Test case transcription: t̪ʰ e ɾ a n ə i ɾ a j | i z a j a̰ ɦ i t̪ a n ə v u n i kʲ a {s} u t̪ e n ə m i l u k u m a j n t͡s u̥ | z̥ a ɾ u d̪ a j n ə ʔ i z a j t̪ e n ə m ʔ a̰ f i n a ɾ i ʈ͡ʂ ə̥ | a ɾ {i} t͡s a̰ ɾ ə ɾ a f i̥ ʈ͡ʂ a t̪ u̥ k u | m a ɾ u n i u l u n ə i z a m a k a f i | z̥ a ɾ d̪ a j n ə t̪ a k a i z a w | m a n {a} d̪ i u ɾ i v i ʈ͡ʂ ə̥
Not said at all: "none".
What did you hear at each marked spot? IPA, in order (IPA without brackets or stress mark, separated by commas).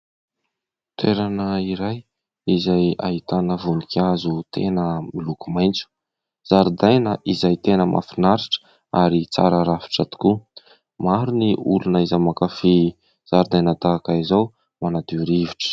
z, i, a